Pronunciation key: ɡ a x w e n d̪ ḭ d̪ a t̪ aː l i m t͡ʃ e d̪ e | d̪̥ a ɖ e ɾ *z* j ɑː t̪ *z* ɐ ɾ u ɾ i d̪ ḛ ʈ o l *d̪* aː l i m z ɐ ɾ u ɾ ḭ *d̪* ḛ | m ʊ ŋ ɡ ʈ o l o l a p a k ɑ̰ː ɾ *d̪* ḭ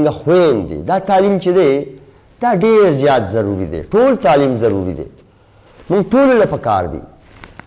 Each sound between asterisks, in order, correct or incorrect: correct, correct, incorrect: t̪, correct, correct

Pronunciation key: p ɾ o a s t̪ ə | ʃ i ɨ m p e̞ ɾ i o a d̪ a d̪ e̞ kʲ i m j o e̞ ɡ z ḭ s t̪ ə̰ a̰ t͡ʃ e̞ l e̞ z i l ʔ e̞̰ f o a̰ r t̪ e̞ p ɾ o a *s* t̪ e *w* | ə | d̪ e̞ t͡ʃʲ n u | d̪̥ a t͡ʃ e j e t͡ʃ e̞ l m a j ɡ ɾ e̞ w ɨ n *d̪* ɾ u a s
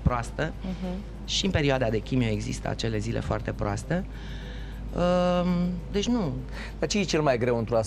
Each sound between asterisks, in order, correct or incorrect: correct, incorrect: none, incorrect: t̪

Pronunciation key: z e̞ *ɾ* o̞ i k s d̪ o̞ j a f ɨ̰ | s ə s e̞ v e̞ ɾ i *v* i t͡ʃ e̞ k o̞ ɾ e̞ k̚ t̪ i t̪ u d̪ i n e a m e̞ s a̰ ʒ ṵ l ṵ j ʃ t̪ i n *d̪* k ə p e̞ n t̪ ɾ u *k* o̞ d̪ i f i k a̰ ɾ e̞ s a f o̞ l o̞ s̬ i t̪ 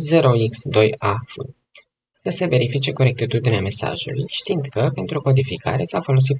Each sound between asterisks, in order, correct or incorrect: correct, incorrect: f, correct, correct

